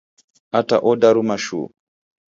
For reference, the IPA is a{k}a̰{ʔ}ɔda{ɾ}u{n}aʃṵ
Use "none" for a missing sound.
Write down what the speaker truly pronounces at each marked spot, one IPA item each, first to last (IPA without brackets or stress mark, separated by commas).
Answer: t, ʔ, ɾ, m